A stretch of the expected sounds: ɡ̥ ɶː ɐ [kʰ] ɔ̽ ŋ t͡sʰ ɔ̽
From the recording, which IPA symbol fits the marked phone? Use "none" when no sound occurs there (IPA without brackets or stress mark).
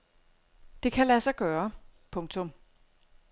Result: pʰ